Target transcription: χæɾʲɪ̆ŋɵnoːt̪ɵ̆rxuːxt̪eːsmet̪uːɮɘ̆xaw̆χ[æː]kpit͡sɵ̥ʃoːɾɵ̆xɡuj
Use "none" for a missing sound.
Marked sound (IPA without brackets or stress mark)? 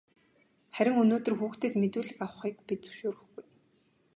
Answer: iː